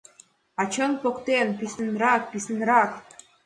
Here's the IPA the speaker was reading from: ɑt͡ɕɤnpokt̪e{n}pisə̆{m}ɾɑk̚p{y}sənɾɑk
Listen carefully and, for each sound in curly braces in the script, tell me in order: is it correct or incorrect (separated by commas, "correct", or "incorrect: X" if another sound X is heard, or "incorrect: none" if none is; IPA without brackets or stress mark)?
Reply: correct, incorrect: n, incorrect: i